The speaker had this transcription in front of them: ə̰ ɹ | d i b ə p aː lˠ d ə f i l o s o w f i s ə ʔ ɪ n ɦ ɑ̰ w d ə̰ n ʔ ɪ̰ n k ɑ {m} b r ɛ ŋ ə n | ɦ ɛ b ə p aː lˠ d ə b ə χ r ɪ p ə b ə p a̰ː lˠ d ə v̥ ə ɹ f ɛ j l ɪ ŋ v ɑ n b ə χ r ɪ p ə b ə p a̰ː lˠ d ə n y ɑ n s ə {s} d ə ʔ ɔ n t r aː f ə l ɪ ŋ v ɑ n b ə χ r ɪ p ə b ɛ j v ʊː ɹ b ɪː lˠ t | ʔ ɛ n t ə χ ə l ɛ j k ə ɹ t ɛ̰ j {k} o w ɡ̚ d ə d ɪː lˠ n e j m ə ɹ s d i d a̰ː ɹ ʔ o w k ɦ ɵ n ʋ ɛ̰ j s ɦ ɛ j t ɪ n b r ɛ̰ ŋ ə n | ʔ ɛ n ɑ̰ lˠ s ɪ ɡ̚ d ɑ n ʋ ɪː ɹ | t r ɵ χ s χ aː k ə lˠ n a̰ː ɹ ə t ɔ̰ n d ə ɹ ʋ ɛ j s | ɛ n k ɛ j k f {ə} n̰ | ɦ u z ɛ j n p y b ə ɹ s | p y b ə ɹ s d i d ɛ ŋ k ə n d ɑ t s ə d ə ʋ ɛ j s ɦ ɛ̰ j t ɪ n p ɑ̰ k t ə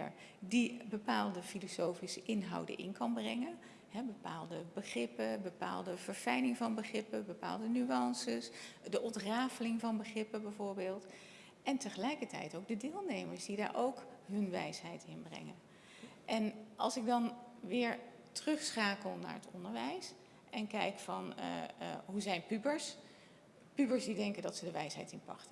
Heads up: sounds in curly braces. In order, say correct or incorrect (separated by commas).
incorrect, correct, incorrect, incorrect